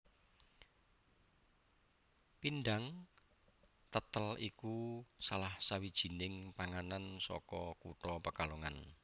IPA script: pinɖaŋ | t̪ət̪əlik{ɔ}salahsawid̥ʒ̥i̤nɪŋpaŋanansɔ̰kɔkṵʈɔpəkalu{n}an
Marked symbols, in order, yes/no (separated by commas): no, no